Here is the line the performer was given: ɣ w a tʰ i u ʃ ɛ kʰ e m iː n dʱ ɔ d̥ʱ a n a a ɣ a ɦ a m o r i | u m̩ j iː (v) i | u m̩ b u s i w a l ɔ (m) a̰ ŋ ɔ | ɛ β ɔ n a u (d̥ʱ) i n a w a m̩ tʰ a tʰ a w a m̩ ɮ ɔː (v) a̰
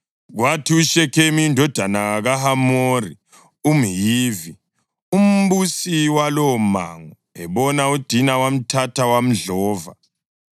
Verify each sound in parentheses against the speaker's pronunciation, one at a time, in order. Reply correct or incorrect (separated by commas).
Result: correct, correct, correct, correct